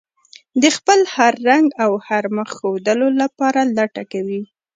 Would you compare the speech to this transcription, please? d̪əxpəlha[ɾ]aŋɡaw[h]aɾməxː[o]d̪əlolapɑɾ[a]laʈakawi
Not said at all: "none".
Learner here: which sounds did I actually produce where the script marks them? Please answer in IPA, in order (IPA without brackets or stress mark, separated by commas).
ɾː, h, o, a